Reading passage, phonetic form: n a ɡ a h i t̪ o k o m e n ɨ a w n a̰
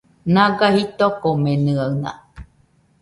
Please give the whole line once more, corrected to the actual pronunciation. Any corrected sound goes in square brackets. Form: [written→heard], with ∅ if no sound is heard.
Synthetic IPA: n a ɡ a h i t̪ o k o m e n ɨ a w n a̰

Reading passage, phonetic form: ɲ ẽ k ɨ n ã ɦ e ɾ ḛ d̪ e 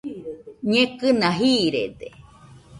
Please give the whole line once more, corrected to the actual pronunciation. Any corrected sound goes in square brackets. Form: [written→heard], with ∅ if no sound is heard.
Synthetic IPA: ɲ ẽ k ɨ n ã ɦ [e→i] ɾ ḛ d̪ e

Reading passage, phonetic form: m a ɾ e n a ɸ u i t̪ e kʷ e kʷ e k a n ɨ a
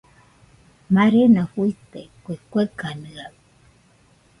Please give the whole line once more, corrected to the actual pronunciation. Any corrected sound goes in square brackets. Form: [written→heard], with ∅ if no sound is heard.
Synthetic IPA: m a ɾ e n a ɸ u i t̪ e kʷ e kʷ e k a n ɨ a

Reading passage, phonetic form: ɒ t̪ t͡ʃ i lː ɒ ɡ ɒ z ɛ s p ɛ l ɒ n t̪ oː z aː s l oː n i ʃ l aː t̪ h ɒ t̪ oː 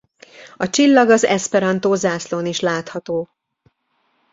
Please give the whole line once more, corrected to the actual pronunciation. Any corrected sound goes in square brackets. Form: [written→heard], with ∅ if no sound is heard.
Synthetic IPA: ɒ [t̪→∅] t͡ʃ i lː ɒ ɡ ɒ z ɛ s p ɛ [l→ɾ] ɒ n t̪ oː z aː s l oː n i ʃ l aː t̪ h ɒ t̪ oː

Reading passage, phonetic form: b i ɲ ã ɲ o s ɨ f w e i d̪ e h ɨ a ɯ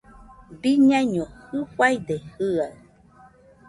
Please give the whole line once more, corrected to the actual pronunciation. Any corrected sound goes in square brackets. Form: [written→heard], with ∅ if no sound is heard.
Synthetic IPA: b i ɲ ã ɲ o [s→h] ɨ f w [e→a] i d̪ e h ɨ a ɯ

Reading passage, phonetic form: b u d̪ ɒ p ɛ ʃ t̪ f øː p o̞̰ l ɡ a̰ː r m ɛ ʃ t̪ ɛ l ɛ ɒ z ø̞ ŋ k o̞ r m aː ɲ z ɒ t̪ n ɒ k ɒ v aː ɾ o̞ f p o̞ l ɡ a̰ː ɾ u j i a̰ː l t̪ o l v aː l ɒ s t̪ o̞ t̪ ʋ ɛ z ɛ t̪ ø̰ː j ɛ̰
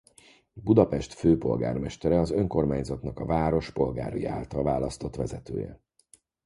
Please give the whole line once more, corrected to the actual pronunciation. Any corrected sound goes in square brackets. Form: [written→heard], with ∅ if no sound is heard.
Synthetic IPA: b u d̪ ɒ p ɛ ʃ t̪ f øː p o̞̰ l ɡ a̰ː r m ɛ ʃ t̪ ɛ [l→ɾ] ɛ ɒ z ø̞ ŋ k o̞ r m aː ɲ z ɒ t̪ n ɒ k ɒ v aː ɾ o̞ [f→ʃ] p o̞ l ɡ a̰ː ɾ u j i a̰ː l t̪ [o→ɒ] l v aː l ɒ s t̪ o̞ t̪ ʋ ɛ z ɛ t̪ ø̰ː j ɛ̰

